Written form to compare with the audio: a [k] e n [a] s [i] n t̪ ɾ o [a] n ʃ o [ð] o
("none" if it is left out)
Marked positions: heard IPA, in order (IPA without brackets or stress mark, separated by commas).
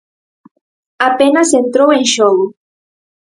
p, a, e, e, ɣ